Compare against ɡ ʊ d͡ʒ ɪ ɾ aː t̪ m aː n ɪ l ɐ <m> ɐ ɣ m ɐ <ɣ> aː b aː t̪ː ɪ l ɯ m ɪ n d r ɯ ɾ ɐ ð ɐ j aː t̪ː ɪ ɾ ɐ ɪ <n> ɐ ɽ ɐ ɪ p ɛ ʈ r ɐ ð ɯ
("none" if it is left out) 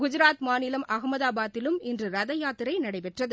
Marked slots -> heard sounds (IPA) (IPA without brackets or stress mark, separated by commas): m, ð, n